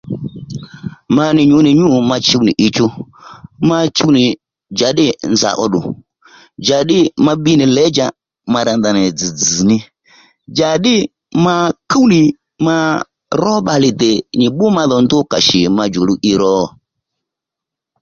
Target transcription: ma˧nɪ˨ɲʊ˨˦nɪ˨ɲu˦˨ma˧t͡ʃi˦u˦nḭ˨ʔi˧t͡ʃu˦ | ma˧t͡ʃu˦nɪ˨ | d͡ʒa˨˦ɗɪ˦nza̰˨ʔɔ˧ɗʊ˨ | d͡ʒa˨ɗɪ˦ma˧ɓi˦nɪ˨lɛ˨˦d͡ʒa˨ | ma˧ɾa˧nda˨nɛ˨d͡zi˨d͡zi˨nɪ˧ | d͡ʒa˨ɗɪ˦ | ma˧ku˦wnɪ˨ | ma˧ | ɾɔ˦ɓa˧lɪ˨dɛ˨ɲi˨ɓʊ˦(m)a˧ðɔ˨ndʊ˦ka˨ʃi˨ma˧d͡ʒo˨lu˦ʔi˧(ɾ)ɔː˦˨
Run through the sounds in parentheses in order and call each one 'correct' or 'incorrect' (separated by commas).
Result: correct, correct